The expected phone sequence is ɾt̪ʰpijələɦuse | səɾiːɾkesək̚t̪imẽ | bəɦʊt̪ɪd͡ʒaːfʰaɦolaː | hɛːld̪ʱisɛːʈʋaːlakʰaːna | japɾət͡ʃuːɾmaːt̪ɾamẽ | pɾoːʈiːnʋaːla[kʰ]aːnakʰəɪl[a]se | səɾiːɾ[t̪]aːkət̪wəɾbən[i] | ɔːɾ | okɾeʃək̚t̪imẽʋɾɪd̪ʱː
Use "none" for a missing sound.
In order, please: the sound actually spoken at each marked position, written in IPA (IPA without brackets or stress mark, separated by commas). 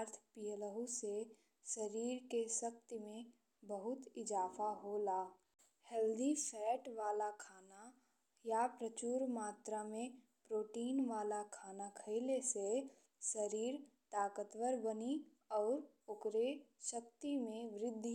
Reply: kʰ, e, t̪, i